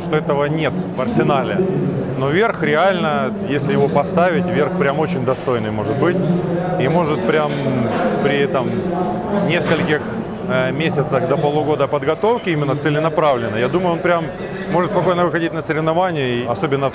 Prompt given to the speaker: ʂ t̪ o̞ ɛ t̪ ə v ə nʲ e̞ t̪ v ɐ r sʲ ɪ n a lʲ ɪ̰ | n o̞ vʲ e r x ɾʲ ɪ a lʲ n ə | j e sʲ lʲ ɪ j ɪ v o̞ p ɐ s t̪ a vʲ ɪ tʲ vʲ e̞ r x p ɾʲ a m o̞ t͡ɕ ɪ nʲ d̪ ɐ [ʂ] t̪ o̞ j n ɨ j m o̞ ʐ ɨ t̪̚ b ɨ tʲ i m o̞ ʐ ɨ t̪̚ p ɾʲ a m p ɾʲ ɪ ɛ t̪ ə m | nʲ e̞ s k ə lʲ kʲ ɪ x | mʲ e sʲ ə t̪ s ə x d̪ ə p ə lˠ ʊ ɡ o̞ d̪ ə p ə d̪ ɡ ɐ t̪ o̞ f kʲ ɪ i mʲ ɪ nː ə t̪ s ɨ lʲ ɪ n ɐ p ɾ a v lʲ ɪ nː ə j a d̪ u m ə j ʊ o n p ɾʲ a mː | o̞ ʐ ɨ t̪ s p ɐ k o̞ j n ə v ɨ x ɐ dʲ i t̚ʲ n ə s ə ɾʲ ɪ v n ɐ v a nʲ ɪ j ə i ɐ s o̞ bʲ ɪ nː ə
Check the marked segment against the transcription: incorrect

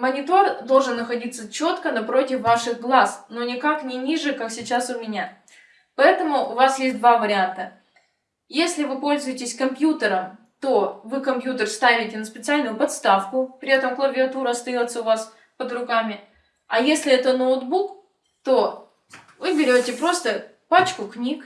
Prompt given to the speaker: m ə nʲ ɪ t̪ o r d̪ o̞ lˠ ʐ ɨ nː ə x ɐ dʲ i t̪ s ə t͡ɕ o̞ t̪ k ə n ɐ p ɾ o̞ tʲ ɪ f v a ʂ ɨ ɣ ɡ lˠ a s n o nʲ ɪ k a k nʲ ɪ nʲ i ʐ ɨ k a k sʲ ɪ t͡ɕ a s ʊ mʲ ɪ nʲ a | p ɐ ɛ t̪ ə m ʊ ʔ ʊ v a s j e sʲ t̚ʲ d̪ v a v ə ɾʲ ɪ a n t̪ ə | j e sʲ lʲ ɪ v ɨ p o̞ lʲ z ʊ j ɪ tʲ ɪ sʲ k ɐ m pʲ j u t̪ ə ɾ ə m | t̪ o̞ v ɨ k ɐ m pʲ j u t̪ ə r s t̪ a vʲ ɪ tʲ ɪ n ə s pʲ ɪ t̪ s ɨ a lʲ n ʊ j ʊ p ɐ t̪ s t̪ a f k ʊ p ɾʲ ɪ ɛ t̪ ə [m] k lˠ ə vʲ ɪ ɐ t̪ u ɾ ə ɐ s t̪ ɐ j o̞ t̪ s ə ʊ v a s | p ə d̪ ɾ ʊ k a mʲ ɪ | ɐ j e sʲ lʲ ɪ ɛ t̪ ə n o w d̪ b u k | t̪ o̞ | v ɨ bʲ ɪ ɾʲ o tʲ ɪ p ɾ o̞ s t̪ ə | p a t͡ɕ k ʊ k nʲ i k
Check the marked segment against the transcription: correct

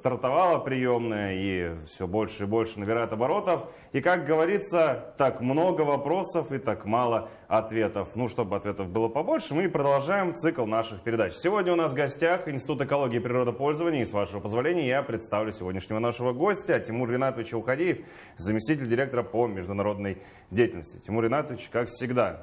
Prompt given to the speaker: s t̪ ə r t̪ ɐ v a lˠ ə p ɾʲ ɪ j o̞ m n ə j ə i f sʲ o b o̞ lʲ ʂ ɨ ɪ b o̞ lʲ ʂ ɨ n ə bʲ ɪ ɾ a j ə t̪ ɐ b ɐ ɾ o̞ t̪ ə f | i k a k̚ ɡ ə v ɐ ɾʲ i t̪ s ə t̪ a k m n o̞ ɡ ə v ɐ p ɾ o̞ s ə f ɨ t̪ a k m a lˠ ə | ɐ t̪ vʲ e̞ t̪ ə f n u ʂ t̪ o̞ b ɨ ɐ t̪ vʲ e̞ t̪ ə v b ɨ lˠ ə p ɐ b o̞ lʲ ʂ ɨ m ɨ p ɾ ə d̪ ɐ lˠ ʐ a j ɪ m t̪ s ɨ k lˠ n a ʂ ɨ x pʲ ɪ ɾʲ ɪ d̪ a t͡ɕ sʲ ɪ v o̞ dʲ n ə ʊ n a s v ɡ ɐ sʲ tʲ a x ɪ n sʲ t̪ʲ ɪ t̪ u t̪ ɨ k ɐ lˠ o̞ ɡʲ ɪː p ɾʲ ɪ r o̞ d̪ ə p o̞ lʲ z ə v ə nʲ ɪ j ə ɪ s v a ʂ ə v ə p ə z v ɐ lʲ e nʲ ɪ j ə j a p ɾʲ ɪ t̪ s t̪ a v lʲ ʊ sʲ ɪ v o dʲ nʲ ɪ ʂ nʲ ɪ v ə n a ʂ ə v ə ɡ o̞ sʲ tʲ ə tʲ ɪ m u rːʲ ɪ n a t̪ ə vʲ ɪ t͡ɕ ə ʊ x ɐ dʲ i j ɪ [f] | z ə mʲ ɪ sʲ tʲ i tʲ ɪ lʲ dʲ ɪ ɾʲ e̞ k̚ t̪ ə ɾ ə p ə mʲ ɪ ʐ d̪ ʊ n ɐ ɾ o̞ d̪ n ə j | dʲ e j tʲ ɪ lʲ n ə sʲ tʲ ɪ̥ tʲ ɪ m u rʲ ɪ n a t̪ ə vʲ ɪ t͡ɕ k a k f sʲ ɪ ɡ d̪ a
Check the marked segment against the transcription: correct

